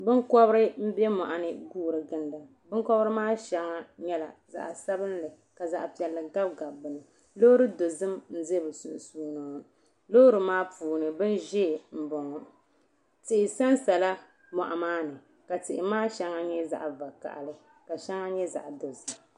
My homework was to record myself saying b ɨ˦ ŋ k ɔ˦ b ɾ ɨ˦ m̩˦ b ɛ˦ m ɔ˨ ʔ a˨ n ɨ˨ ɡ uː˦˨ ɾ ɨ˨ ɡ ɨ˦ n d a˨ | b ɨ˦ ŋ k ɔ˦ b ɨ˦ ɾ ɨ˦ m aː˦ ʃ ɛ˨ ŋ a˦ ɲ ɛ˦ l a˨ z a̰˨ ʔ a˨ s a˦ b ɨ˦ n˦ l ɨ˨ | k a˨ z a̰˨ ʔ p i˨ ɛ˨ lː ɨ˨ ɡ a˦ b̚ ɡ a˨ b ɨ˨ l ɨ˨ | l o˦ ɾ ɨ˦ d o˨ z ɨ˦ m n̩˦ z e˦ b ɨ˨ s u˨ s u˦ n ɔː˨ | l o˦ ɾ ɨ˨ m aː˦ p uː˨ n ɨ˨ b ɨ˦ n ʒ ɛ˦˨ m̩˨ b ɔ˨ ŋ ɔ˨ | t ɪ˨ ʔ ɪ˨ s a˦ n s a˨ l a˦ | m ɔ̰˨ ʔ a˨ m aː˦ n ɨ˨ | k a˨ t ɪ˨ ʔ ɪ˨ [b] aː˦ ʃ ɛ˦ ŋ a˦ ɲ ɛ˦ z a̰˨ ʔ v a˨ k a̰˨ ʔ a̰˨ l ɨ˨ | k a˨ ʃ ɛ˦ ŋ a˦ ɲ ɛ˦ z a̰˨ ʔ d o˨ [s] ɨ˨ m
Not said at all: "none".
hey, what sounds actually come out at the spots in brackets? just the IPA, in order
m, z

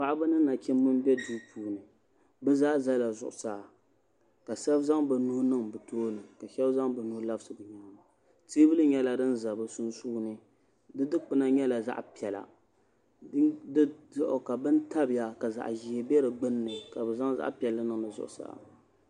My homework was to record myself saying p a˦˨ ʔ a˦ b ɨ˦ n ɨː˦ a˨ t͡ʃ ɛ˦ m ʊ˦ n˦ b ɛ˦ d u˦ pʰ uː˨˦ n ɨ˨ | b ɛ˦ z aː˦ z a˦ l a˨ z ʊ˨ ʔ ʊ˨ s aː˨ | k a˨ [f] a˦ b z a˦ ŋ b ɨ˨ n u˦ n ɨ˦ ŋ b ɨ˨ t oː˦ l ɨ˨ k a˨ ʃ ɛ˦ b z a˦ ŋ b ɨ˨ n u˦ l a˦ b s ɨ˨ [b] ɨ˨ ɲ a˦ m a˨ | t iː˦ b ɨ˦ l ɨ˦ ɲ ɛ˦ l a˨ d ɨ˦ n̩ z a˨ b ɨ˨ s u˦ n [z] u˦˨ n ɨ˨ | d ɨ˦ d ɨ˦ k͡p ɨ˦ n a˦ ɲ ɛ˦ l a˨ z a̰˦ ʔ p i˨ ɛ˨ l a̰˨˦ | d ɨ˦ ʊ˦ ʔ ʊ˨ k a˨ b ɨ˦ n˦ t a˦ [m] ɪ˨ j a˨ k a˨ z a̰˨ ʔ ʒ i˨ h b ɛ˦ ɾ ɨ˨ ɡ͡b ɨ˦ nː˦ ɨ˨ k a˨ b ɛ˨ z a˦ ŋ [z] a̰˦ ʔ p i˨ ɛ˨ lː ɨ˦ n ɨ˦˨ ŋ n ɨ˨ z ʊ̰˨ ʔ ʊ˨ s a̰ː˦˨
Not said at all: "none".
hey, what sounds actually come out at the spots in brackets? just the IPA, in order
s, b, s, b, z

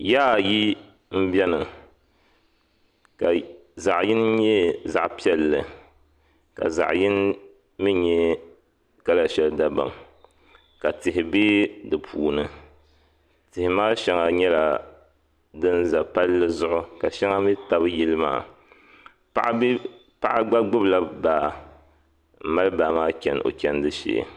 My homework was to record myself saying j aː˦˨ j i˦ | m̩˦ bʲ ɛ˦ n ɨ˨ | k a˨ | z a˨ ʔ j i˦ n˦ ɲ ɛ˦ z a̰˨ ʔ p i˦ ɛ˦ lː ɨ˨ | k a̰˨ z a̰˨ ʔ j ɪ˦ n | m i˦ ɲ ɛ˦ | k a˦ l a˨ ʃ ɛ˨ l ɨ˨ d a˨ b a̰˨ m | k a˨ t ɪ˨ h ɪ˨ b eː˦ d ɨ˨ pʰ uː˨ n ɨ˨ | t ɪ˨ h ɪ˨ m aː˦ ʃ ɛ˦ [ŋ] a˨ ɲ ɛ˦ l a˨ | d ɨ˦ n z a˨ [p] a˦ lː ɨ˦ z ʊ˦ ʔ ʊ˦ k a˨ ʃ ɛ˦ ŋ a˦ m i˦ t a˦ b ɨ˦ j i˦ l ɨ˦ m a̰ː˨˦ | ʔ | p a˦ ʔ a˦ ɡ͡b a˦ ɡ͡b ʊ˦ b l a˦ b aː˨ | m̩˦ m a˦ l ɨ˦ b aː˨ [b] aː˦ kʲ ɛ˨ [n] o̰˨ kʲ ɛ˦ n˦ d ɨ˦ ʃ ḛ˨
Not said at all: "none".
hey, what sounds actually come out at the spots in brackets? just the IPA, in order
ŋ, p, m, n

